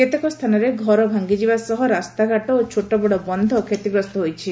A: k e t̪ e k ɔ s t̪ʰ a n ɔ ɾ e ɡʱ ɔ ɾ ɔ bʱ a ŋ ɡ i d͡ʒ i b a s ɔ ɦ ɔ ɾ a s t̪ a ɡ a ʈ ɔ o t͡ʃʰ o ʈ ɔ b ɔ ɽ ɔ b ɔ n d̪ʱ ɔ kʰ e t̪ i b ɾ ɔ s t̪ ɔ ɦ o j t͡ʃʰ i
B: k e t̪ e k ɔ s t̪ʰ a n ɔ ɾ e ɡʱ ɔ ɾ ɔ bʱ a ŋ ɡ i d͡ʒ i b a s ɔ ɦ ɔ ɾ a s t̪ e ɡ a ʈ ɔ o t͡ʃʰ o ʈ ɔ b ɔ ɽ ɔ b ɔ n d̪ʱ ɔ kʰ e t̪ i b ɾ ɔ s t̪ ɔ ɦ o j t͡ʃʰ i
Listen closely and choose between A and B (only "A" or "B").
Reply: A